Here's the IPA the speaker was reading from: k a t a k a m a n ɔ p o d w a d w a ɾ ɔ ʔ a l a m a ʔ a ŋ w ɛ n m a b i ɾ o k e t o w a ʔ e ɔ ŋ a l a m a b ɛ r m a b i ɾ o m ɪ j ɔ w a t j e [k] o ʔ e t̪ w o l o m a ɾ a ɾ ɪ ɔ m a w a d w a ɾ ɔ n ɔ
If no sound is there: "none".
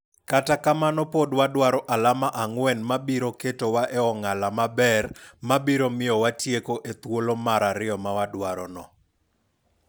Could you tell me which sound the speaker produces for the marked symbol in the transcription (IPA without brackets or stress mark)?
k